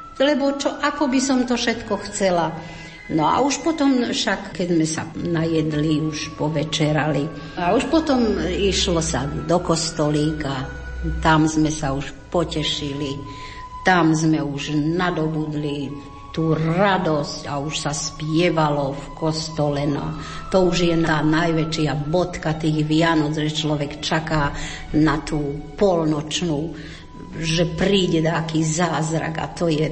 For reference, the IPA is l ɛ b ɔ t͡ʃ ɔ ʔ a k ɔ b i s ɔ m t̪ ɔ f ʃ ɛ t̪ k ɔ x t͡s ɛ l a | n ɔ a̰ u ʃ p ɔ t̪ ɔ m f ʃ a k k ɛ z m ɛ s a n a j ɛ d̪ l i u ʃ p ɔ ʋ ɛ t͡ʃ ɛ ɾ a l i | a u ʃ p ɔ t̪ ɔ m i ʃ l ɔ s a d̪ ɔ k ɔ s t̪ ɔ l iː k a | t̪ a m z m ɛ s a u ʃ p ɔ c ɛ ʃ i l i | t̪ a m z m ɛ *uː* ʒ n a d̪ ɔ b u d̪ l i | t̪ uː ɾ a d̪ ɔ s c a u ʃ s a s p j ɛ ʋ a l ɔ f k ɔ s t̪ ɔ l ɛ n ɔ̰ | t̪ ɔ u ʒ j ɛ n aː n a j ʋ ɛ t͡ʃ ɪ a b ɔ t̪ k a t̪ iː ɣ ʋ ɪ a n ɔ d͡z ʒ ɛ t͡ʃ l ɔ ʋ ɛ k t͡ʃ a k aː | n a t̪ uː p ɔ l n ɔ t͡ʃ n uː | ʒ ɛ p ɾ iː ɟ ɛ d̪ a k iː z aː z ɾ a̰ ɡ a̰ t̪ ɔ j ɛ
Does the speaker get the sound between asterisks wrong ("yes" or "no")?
yes